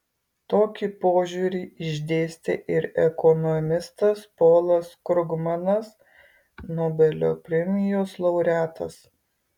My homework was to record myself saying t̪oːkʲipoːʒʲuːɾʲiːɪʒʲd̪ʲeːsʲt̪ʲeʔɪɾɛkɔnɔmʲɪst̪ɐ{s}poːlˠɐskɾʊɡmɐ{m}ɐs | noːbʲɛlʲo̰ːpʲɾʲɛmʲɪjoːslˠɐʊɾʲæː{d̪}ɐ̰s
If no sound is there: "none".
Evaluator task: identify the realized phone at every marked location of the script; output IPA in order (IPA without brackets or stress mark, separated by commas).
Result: s, n, t̪